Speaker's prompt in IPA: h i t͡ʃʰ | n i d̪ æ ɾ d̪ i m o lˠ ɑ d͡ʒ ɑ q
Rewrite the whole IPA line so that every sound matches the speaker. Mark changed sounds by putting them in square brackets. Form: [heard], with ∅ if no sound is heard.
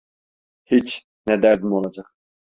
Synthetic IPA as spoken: h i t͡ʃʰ | n [ɛ] d̪ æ ɾ d̪ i m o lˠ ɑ d͡ʒ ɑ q